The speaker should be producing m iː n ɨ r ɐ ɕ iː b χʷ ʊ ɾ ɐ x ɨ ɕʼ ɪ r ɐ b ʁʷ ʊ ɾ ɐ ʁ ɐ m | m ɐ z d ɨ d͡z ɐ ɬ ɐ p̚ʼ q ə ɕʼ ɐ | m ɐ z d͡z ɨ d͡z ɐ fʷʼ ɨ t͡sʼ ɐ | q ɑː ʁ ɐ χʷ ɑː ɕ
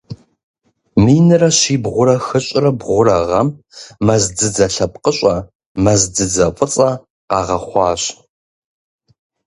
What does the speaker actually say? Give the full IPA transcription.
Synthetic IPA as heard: m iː n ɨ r ɐ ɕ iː b ʁʷ ʊ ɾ ɐ x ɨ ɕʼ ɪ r ɐ b ʁʷ ʊ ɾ ɐ ʁ ɐ m | m ɐ z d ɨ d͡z ɐ ɬ ɐ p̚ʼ q ə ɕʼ ɐ | m ɐ z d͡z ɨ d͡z ɐ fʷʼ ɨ t͡sʼ ɐ | q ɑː ʁ ɐ χʷ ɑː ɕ

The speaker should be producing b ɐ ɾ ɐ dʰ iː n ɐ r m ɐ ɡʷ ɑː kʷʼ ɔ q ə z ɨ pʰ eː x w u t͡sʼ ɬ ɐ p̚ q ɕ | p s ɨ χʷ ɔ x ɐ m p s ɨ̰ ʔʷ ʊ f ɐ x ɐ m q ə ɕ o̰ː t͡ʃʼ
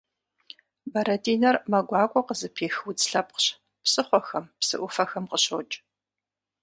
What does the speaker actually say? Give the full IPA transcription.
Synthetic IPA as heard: b ɐ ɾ ɐ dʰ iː n ɐ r m ɐ ɡʷ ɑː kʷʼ ɔ q ə z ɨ pʰ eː x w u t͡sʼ ɬ ɐ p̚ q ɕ | p s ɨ χʷ ɔ x ɐ m p s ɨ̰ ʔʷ ʊ f ɐ x ɐ m q ə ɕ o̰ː t͡ʃʼ

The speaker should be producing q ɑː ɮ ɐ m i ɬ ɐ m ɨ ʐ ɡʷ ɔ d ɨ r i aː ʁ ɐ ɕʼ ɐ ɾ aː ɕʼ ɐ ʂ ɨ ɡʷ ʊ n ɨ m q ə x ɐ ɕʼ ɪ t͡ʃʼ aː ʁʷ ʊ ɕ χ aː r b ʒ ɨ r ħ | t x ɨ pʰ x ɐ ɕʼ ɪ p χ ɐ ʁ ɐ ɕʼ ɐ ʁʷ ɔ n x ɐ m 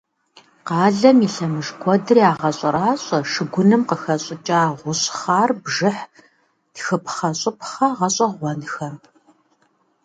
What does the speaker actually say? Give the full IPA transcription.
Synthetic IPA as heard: q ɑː ɮ ɐ m i ɬ ɐ m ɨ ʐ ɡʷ ɔ d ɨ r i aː ʁ ɐ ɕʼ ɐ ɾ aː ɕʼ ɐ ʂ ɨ ɡʷ ʊ n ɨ m q ə x ɐ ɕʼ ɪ t͡ʃʼ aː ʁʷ ʊ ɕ χ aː r b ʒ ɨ ħ | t x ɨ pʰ χ ɐ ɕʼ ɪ p χ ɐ ʁ ɐ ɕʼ ɐ ʁʷ ɔ n x ɐ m

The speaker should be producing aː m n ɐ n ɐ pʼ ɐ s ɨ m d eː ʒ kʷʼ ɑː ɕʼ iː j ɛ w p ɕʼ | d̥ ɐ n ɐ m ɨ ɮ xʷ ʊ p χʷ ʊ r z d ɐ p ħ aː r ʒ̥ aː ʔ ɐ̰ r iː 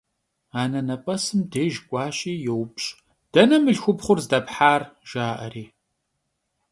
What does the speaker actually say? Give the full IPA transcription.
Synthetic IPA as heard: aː n ɐ n ɐ pʼ ɐ s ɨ m d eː ʒ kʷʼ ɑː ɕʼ iː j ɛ w p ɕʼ | d̥ ɐ n ɐ m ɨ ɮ xʷ ʊ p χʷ ʊ r z d ɐ p ħ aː r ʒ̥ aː ʔ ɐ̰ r iː

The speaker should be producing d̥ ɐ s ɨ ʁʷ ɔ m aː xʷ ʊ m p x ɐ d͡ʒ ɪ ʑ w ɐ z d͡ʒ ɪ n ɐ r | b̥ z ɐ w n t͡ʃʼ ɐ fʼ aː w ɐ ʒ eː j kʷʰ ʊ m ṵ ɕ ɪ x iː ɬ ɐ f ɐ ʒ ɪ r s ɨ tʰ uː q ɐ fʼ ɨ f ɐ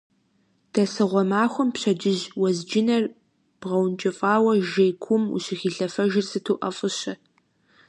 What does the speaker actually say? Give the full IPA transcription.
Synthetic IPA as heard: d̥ ɐ s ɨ ʁʷ ɔ m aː xʷ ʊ m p ɕ ɐ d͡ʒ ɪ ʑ w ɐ z d͡ʒ ɪ n ɐ r | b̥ ʁ ɐ w n t͡ʃʼ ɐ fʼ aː w ɐ ʒ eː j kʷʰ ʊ m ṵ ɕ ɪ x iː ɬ ɐ f ɐ ʒ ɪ r s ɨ tʰ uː ʔ ɐ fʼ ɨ ɕ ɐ

